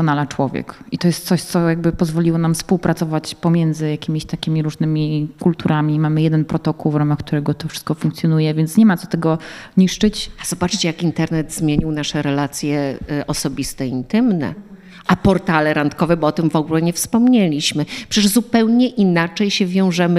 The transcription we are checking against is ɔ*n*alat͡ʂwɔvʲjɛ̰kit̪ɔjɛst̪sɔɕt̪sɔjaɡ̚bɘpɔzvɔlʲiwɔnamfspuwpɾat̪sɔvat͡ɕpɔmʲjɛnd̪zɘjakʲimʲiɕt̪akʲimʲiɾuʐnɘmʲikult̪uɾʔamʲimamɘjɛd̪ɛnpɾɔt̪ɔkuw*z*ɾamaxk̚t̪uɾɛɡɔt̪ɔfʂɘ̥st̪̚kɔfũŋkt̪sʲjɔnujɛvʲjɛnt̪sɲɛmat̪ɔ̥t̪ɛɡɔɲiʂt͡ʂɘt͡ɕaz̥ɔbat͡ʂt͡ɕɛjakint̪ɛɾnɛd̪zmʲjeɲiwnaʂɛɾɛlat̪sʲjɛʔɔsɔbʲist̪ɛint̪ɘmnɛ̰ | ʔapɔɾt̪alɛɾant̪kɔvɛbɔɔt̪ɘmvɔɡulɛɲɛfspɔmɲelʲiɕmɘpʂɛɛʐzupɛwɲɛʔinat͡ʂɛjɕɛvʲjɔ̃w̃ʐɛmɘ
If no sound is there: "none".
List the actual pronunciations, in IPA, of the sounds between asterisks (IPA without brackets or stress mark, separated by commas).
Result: n, v